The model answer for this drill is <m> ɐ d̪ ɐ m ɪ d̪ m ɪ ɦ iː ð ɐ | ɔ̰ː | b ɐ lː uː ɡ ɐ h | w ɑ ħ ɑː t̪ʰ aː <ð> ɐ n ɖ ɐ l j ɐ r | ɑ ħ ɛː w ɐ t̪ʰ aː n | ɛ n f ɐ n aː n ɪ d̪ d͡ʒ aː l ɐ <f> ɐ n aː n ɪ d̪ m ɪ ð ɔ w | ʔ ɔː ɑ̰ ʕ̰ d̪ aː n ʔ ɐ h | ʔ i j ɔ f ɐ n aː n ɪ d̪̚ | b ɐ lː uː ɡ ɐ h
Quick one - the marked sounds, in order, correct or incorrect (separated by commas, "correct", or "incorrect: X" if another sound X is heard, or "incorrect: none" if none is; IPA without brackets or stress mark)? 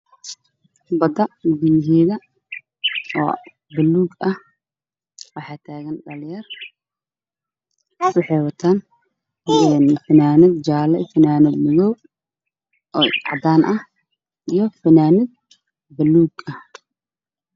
incorrect: b, incorrect: ɣ, correct